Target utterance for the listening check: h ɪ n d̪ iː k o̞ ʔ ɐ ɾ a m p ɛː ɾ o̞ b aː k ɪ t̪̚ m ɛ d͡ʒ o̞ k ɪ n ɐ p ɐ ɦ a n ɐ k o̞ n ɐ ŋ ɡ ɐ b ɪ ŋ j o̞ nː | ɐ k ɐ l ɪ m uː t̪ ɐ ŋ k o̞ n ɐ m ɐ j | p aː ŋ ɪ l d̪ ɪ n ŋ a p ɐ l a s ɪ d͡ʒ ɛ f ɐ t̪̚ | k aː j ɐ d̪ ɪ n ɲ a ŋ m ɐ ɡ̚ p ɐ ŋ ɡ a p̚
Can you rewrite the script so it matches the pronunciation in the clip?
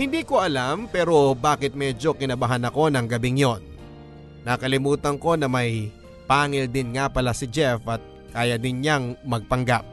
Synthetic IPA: h ɪ n d̪ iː k o̞ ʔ ɐ l a m p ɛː ɾ o̞ b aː k ɪ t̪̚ m ɛ d͡ʒ o̞ k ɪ n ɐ b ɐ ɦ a n ɐ k o̞ n ɐ ŋ ɡ ɐ b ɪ ŋ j o̞ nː | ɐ k ɐ l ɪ m uː t̪ ɐ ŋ k o̞ n ɐ m ɐ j | p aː ŋ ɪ l d̪ ɪ n ŋ a p ɐ l a s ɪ d͡ʒ ɛ f ɐ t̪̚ | k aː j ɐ d̪ ɪ n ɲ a ŋ m ɐ ɡ̚ p ɐ ŋ ɡ a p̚